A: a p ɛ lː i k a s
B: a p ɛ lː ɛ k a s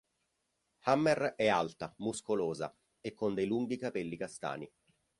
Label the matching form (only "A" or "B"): A